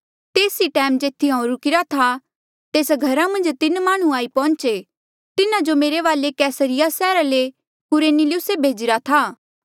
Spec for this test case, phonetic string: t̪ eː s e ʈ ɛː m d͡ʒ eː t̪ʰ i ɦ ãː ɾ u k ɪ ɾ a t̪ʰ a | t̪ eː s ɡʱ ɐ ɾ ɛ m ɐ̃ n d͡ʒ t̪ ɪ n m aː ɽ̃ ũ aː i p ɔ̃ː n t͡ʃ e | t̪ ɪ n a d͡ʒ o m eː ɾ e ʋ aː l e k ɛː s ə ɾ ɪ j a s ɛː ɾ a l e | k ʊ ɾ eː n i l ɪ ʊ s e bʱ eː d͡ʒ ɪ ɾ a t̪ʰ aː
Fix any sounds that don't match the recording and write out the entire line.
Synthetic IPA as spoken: t̪ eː s i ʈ ɛː m d͡ʒ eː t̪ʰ i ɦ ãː ɾ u k ɪ ɾ a t̪ʰ a | t̪ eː s ɡʱ ɐ ɾ a m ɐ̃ n d͡ʒ t̪ ɪ n m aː ɽ̃ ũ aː i p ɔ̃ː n t͡ʃ e | t̪ ɪ n a d͡ʒ o m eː ɾ e ʋ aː l e k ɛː s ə ɾ ɪ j a s ɛː ɾ a l e | k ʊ ɾ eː n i l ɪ ʊ s e bʱ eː d͡ʒ ɪ ɾ a t̪ʰ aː

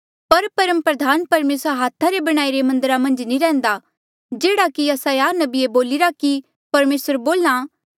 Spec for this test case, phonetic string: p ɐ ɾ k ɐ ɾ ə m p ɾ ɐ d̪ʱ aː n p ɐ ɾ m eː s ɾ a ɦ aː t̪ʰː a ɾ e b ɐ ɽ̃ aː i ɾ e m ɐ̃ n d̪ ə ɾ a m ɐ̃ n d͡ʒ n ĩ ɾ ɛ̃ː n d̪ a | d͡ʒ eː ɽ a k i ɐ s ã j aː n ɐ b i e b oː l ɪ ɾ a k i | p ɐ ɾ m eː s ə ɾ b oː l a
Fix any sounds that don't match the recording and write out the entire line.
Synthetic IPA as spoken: p ɐ ɾ p ɐ ɾ ə m p ɾ ɐ d̪ʱ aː n p ɐ ɾ m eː s ɾ a ɦ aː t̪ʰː a ɾ e b ɐ ɽ̃ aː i ɾ e m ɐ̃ n d̪ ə ɾ a m ɐ̃ n d͡ʒ n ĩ ɾ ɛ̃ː n d̪ a | d͡ʒ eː ɽ a k i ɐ s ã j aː n ɐ b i e b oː l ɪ ɾ a k i | p ɐ ɾ m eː s ə ɾ b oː l a

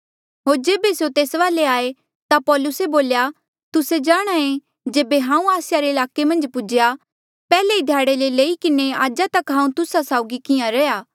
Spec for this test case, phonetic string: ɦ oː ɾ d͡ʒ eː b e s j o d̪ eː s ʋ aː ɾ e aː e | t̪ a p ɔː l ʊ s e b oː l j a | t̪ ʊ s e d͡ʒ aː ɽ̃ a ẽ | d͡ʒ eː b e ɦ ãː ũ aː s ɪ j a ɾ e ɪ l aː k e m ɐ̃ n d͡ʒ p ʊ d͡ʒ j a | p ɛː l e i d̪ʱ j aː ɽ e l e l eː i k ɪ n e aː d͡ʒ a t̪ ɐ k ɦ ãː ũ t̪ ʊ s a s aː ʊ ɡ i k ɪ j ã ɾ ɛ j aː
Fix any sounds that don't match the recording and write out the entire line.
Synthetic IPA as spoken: ɦ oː ɾ d͡ʒ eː b e s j o t̪ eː s ʋ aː l e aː e | t̪ a p ɔː l ʊ s e b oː l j a | t̪ ʊ s e d͡ʒ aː ɽ̃ a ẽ | d͡ʒ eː b e ɦ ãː ũ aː s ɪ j a ɾ e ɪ l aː k e m ɐ̃ n d͡ʒ p ʊ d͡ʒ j a | p ɛː l e i d̪ʱ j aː ɽ e l e l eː i k ɪ n e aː d͡ʒ a t̪ ɐ k ɦ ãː ũ t̪ ʊ s a s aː ʊ ɡ i k ɪ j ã ɾ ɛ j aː

